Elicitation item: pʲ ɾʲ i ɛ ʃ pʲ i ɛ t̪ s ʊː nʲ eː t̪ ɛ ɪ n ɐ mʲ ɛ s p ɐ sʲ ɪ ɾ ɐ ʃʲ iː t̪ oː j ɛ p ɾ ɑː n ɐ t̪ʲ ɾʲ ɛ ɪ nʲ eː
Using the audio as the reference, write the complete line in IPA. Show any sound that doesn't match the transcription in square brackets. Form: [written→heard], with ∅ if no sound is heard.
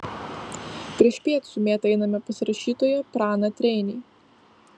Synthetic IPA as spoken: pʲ ɾʲ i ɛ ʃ pʲ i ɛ t̪ s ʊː [nʲ→mʲ] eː t̪ ɛ ɪ n ɐ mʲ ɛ [s→∅] p ɐ sʲ ɪ ɾ ɐ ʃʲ iː t̪ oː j ɛ p ɾ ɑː n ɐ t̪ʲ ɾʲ ɛ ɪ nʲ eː